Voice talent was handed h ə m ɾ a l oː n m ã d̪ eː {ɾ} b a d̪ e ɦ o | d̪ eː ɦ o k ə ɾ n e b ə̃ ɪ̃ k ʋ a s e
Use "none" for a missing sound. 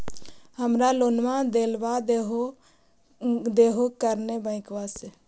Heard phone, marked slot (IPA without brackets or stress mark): l